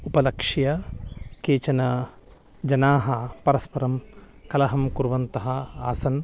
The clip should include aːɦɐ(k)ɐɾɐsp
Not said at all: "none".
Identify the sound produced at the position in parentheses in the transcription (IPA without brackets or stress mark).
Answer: p